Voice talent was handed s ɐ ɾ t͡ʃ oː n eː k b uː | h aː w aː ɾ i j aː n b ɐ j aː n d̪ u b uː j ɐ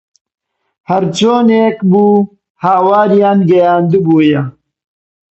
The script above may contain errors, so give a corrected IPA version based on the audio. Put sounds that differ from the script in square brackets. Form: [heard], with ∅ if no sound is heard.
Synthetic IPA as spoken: [h] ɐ ɾ t͡ʃ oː n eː k b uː | h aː w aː ɾ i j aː n [ɡ] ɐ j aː n d̪ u b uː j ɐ